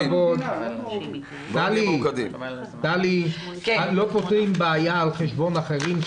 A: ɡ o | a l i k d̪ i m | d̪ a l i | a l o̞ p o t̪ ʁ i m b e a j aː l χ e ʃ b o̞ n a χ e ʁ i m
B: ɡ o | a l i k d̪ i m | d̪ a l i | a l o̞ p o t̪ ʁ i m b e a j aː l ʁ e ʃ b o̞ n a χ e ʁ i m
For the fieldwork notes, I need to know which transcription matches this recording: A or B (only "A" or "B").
A